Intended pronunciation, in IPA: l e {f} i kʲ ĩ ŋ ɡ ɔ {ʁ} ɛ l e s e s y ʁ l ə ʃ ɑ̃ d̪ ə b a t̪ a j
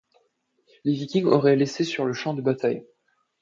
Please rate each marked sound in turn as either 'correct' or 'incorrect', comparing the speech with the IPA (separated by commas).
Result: incorrect, correct